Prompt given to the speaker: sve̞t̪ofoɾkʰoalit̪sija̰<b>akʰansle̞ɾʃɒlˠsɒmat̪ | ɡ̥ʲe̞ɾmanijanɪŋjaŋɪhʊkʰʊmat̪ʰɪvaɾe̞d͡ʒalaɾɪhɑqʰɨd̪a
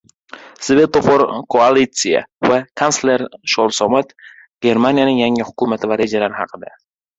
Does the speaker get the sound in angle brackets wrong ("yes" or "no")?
yes